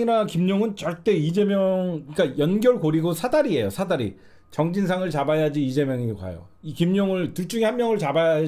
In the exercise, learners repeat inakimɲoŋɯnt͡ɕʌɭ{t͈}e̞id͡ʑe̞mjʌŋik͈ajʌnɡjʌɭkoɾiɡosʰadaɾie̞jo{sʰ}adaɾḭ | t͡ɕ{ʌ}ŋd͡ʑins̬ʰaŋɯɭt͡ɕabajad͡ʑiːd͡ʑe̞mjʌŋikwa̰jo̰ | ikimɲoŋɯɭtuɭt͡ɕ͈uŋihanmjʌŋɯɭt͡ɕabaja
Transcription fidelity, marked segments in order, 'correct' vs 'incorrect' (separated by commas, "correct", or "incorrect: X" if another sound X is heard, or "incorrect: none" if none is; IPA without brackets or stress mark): correct, correct, correct